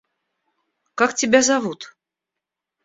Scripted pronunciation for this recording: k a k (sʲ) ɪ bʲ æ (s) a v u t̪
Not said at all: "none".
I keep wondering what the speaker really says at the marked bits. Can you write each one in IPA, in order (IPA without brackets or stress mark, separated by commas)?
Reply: tʲ, z